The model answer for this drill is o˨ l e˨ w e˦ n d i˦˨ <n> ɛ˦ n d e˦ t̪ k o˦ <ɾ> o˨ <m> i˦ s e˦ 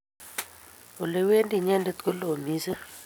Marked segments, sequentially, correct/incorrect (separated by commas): incorrect, incorrect, correct